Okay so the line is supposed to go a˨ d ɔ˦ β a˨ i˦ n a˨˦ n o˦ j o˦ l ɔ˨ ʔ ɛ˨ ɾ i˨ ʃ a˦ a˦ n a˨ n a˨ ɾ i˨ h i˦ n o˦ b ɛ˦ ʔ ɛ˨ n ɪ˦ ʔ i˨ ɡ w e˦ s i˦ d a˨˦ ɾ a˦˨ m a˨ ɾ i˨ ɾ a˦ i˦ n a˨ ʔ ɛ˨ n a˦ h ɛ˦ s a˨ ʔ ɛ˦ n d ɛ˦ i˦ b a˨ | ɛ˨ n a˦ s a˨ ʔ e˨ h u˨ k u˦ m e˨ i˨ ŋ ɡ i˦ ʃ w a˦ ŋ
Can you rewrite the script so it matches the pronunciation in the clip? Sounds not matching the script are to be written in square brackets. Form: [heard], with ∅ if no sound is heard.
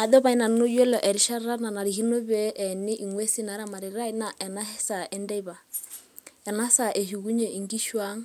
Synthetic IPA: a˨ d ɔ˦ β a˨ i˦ n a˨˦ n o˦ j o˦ l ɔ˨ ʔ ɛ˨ ɾ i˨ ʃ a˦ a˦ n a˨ n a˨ ɾ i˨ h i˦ n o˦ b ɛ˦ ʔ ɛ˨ n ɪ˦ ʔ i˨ [ŋ] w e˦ s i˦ [n] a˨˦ ɾ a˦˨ m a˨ ɾ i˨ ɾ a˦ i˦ n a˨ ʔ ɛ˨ n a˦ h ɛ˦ s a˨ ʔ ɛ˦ n d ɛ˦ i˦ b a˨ | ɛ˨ n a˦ s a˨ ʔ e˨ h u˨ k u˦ [ɲ] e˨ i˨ ŋ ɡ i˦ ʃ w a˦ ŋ

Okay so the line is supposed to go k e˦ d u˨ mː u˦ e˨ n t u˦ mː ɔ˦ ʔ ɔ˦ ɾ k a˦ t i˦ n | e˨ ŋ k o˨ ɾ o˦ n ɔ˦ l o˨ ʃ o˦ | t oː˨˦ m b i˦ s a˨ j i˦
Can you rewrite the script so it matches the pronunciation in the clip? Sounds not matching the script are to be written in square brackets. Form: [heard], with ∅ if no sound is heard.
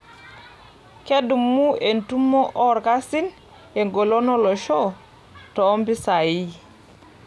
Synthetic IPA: k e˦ d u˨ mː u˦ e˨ n t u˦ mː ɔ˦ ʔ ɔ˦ ɾ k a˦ [s] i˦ n | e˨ ŋ [ɡ] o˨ [l] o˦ n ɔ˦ l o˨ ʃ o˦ | t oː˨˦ m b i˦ s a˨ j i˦

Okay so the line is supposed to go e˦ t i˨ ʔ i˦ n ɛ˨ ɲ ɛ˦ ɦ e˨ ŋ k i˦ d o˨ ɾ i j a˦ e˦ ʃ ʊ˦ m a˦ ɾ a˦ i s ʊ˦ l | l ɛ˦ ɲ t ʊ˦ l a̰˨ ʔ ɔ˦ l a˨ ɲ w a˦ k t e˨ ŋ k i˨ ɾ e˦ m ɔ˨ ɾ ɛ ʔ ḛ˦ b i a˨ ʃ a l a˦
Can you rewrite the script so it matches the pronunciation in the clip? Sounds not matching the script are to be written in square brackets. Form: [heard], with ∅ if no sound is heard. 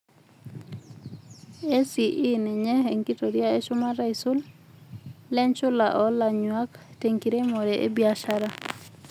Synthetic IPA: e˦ [s] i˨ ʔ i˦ n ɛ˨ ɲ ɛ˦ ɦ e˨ ŋ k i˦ [t] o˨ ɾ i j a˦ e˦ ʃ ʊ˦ m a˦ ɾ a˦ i s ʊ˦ l | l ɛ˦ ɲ [t͡ʃ] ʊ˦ l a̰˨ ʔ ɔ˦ l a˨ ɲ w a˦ k t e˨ ŋ k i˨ ɾ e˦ m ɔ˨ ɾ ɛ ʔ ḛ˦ b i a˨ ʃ a [ɾ] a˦

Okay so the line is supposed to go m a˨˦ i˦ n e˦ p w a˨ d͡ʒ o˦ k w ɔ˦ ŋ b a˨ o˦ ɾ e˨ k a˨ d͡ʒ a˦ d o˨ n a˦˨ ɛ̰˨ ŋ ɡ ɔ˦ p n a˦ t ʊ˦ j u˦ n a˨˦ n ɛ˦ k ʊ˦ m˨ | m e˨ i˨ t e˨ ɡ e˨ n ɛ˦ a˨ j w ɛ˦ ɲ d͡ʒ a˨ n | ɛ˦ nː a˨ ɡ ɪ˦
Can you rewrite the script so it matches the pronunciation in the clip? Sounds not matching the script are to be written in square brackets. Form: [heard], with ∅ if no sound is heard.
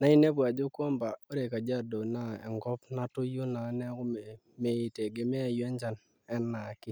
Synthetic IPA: [n] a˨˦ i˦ n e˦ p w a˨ d͡ʒ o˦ k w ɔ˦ [m] b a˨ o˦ ɾ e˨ k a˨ d͡ʒ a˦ d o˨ n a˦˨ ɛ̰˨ ŋ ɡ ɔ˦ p n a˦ t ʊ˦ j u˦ n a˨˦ n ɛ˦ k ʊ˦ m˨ | m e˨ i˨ t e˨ ɡ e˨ [m] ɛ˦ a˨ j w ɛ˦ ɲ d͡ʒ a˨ n | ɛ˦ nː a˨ [k] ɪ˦

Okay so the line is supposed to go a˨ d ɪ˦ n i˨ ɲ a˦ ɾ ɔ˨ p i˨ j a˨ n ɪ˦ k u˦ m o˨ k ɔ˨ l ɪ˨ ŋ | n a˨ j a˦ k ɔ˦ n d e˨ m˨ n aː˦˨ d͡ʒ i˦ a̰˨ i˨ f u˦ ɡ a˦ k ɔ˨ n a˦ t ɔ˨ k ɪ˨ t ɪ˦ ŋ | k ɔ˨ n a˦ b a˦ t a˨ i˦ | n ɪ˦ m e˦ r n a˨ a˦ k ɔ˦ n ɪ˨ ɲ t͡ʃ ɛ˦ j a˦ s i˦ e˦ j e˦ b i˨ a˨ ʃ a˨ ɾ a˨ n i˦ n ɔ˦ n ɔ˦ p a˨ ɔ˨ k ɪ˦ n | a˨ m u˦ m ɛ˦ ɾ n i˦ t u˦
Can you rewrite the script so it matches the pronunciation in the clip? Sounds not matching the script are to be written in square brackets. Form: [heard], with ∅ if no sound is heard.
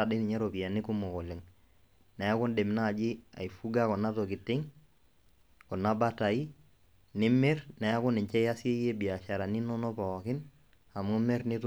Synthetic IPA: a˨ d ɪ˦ n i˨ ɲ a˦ ɾ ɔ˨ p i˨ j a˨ n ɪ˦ k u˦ m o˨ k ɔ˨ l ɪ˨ ŋ | n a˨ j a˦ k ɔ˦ n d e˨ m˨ n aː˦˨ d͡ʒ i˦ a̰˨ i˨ f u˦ ɡ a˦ k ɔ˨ n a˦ t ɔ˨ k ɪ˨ t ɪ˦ ŋ | k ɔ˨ n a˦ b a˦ t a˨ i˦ | n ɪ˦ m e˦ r n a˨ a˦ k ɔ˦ n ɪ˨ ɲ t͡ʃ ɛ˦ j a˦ s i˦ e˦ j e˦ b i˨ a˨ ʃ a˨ ɾ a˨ n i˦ n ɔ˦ n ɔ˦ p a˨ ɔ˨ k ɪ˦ n | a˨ m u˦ m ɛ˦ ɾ n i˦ t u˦

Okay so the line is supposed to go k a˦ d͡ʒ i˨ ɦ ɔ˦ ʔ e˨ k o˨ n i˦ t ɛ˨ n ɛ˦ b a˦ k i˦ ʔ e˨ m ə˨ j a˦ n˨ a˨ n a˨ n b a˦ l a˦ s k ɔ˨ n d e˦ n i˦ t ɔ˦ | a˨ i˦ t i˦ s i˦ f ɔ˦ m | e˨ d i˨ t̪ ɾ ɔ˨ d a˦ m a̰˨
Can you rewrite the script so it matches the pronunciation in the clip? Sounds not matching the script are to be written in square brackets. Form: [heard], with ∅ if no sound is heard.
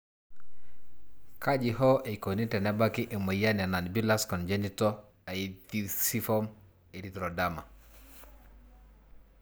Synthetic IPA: k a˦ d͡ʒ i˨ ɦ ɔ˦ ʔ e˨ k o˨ n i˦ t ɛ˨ n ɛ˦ b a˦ k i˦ ʔ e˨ m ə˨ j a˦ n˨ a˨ n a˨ n b [i˦] l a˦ s k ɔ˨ n [d͡ʒ] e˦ n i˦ t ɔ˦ | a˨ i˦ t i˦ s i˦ f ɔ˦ m | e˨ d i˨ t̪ ɾ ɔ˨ d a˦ m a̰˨

